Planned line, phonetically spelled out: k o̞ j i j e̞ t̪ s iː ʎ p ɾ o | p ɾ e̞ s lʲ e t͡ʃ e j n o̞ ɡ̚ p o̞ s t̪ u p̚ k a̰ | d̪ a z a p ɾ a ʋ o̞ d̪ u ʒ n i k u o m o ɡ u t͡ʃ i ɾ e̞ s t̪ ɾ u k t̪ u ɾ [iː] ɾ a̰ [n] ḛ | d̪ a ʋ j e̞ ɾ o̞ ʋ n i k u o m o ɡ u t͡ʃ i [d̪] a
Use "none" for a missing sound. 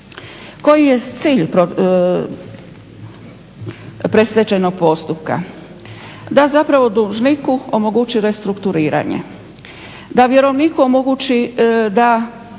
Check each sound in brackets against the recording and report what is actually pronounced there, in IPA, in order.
iː, ɲ, d̪

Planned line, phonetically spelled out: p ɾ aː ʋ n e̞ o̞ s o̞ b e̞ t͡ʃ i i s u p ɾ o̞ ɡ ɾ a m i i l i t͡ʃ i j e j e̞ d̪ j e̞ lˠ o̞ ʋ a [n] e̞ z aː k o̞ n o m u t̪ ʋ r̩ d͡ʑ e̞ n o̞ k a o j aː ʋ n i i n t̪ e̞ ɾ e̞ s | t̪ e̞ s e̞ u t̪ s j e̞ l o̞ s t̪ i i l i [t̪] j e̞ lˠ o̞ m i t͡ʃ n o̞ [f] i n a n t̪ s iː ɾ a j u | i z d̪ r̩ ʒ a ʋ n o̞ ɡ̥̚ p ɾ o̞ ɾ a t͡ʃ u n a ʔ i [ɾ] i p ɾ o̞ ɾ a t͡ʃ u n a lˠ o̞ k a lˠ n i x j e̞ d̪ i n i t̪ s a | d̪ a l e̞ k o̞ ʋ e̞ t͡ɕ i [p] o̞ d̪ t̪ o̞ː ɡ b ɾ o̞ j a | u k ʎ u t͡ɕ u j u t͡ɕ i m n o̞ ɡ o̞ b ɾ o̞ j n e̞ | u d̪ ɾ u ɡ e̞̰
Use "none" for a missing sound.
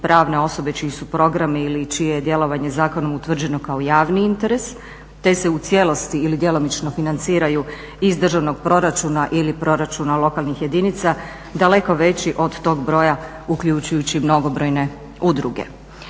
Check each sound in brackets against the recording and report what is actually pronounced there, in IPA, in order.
ɲ, d̪, f, l, ʔ

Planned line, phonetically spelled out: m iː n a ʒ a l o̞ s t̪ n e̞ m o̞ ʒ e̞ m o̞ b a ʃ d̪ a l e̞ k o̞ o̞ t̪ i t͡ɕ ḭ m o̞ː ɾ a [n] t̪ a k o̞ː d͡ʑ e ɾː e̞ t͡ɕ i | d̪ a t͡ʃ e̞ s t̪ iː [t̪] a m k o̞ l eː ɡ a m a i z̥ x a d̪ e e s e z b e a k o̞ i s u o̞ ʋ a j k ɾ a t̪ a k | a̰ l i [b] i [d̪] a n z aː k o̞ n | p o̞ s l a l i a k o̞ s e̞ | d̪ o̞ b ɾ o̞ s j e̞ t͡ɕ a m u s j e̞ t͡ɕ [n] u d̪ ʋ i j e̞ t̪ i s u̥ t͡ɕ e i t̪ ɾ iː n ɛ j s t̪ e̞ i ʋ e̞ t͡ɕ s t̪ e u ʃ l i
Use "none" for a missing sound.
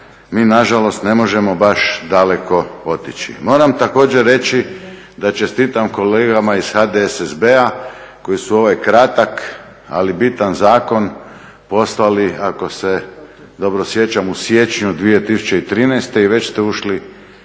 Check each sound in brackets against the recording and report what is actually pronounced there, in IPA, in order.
m, t̪, b, t̪, ɲ

